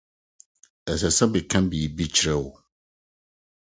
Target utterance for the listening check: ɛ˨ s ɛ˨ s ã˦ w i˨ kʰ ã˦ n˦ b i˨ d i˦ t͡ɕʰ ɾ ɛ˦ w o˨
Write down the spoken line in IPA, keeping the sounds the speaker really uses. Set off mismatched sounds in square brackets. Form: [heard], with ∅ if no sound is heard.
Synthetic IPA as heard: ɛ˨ s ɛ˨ s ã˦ [b] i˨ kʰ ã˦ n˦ b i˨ [b] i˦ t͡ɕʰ ɾ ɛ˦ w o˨